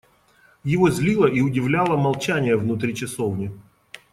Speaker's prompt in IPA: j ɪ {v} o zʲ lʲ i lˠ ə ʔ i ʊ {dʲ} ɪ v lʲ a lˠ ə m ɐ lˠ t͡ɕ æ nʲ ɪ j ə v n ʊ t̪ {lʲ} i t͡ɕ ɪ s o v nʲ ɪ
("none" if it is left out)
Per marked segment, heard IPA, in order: v, dʲ, ɾʲ

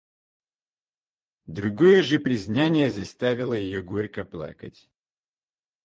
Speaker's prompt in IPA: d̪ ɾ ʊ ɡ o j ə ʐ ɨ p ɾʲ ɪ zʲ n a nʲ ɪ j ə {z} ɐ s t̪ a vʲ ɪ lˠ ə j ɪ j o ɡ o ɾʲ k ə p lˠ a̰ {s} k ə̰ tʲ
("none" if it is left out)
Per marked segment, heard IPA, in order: z, none

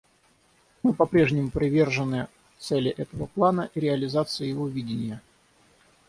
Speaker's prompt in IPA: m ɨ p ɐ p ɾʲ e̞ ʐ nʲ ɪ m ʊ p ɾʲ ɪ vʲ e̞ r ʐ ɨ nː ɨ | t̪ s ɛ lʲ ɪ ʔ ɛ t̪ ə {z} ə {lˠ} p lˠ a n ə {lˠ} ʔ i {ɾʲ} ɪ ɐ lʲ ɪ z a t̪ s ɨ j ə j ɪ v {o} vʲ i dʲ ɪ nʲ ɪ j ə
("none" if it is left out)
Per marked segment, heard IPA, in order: v, none, none, ɾʲ, o

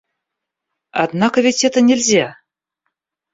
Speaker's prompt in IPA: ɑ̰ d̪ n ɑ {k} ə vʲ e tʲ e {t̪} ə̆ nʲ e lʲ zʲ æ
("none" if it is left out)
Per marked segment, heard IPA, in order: k, t̪

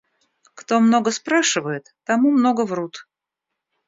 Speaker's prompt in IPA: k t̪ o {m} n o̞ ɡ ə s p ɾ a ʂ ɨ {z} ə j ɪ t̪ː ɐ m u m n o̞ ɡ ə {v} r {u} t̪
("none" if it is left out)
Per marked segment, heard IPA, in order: m, v, v, u

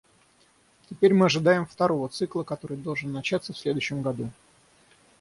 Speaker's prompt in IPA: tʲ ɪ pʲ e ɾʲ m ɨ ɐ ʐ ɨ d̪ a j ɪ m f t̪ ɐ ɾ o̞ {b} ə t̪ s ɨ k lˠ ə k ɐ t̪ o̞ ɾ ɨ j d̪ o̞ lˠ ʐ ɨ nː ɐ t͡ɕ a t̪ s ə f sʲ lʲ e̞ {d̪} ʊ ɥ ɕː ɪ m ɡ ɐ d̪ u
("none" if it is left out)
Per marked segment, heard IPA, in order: v, d̪

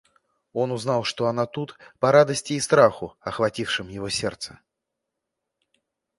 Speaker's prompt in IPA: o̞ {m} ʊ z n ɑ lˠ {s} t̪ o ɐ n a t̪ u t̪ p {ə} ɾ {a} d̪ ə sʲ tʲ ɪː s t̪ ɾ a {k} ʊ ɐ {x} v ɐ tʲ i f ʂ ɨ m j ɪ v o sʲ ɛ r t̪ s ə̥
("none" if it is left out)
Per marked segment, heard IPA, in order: n, ʂ, ɐ, a, x, x

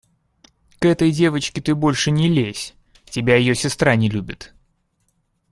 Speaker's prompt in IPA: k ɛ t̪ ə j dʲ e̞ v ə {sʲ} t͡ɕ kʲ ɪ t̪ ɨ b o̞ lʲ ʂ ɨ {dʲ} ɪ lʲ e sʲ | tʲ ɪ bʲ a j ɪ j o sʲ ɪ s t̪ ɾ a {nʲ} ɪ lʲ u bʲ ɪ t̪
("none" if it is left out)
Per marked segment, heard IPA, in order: none, nʲ, nʲ

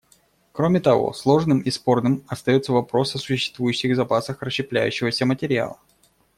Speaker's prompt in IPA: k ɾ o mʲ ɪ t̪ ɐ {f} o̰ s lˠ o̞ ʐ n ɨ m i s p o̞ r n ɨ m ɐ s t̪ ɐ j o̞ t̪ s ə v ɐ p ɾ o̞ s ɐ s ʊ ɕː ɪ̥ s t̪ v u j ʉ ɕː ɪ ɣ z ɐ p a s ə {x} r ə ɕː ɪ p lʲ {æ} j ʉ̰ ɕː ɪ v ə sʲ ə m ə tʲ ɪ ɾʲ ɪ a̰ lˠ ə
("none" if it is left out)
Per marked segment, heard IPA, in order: v, x, æ

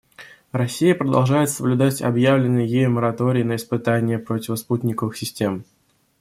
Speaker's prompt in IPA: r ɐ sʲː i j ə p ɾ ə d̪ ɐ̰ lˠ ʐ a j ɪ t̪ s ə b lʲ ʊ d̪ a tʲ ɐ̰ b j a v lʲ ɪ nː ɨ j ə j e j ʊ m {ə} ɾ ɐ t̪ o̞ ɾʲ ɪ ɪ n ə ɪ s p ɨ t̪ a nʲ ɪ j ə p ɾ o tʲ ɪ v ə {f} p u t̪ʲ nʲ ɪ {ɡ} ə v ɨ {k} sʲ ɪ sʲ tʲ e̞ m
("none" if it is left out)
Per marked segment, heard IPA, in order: ə, s, k, x

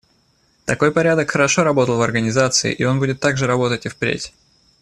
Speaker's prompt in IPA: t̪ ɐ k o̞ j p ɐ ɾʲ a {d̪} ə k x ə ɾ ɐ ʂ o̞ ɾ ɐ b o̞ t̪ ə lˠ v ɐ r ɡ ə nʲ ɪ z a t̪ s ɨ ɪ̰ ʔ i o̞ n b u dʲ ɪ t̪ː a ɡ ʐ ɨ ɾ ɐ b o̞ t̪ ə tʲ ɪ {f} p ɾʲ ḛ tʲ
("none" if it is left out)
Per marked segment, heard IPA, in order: d̪, f

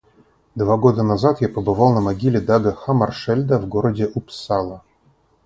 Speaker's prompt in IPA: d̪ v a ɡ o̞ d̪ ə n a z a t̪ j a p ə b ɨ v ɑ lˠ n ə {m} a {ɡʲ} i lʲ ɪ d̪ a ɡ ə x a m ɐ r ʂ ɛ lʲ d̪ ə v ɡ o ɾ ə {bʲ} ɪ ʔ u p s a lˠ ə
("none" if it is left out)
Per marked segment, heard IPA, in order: m, ɡʲ, dʲ

